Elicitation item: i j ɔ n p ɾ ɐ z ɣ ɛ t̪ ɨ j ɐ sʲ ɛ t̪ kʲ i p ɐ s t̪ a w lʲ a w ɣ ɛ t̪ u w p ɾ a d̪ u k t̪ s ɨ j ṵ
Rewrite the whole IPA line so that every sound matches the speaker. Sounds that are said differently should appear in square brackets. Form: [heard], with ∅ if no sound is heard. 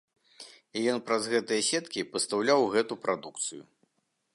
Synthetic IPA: i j ɔ n p ɾ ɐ z ɣ ɛ t̪ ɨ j ɐ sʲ ɛ t̪ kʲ i p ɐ s t̪ a w lʲ a w ɣ ɛ t̪ u [∅] p ɾ a d̪ u k t̪ s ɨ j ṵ